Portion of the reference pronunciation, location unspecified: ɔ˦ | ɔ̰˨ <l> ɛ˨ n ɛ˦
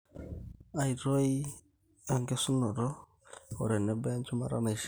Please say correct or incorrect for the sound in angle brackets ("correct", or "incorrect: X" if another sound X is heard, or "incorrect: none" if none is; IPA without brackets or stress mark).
incorrect: ɾ